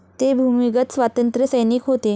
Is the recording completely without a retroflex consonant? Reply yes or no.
yes